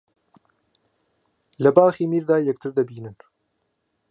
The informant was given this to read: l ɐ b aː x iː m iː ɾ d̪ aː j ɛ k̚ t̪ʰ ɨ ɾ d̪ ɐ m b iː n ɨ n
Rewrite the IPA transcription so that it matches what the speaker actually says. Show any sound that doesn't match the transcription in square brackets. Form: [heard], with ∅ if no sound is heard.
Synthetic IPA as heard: l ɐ b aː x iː m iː ɾ d̪ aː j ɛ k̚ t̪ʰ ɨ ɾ d̪ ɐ [∅] b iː n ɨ n